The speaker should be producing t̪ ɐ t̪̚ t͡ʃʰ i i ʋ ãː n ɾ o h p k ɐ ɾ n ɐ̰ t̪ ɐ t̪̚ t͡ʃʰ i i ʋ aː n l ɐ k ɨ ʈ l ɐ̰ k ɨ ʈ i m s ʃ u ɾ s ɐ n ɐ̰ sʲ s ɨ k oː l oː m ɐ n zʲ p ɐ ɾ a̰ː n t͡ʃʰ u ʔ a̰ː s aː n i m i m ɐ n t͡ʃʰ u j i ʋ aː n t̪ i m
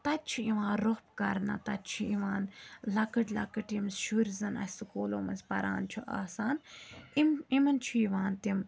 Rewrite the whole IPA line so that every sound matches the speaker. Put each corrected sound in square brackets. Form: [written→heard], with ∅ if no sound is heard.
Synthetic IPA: t̪ ɐ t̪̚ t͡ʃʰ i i ʋ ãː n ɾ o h p k ɐ ɾ n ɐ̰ t̪ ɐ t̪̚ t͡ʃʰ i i ʋ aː n l ɐ k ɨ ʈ l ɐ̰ k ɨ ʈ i m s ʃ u ɾ [s→z] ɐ n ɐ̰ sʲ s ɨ k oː l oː m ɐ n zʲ p ɐ ɾ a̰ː n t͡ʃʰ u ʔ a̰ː s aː n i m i m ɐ n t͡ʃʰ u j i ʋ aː n t̪ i m